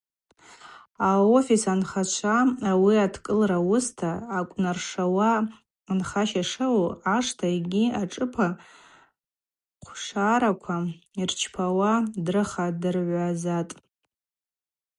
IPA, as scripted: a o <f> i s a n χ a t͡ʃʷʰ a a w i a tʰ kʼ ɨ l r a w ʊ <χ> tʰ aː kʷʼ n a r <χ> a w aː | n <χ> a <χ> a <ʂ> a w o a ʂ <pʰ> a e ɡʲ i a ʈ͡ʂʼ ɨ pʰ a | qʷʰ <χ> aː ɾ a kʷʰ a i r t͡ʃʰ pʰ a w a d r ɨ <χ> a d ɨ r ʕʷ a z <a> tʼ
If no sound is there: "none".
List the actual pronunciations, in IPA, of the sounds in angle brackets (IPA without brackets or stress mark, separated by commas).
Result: f, s, ʂ, χ, ʃ, ʂ, tʰ, ʂ, χ, a